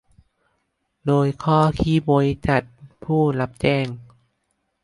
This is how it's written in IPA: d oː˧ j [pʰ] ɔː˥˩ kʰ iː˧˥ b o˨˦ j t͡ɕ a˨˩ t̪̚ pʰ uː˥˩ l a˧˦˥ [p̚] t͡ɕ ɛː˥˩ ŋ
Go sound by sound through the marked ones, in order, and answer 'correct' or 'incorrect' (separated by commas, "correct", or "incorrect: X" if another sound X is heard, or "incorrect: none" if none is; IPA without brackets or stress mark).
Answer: incorrect: kʰ, correct